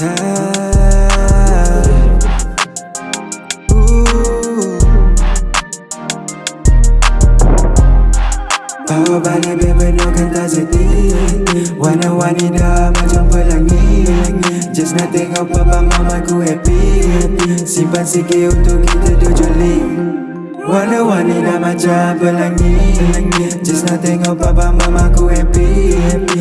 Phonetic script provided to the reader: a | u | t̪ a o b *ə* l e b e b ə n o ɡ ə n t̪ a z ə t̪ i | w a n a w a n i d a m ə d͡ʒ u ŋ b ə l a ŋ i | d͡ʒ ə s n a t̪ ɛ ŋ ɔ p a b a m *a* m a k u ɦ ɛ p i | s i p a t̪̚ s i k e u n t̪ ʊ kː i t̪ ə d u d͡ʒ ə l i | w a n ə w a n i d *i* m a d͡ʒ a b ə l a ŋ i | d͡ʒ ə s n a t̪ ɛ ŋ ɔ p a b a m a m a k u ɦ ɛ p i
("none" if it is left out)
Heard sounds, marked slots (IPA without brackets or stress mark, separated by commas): a, a, a